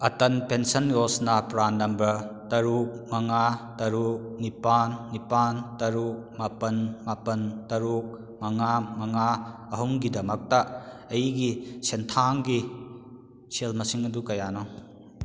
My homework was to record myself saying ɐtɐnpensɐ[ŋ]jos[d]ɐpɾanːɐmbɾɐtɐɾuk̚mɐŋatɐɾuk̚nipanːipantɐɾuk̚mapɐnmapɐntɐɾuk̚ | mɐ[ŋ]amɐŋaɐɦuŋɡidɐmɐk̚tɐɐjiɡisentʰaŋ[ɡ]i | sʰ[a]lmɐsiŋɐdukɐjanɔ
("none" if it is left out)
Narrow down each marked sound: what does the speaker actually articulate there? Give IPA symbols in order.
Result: n, n, ŋ, ɡ, e

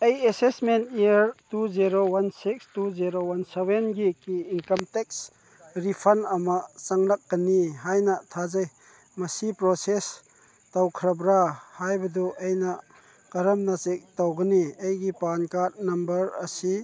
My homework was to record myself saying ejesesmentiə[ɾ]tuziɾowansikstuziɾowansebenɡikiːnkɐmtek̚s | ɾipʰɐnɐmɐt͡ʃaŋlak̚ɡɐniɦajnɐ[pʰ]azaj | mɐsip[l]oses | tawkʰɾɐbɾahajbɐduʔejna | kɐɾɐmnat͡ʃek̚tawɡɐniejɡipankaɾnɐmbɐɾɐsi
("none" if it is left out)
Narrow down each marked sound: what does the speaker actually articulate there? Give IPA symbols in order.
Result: ɾ, tʰ, ɾ

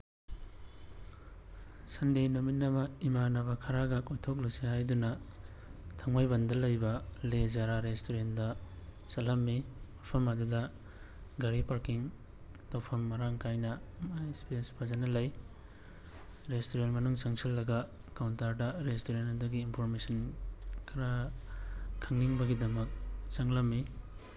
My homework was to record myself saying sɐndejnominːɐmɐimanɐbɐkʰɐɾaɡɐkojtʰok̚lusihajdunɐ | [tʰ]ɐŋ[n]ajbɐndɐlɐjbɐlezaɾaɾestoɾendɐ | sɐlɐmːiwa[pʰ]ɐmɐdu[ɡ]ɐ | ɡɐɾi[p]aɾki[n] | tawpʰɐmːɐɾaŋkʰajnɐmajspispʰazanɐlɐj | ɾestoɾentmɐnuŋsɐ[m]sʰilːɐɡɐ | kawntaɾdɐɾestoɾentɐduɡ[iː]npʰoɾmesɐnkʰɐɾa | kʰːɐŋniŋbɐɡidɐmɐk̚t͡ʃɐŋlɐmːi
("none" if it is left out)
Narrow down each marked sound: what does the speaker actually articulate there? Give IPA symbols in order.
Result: tʰ, m, pʰ, d, p, ŋ, ŋ, iː

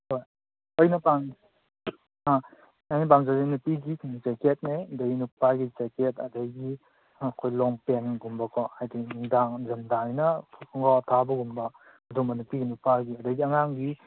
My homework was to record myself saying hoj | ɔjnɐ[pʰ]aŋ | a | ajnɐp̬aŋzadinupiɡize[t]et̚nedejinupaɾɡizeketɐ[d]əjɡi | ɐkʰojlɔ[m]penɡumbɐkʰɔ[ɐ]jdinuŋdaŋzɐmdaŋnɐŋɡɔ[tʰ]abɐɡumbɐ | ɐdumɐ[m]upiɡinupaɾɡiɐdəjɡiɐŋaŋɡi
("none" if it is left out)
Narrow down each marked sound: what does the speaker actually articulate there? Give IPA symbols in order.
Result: p, k, d, ŋ, a, tʰ, n

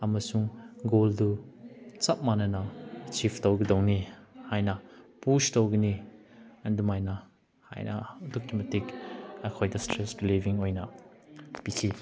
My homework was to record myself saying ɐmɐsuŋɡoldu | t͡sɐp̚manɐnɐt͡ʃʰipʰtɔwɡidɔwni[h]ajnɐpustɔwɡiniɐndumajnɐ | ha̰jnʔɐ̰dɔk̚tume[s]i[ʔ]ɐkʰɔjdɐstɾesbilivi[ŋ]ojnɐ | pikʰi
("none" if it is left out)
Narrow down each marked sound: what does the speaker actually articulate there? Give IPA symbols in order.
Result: h, t, k, ŋ

